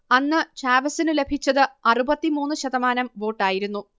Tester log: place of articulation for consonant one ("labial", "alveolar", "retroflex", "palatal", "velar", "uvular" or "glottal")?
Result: alveolar